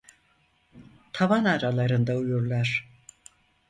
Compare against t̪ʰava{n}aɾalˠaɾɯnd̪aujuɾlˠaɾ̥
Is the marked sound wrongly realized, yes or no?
no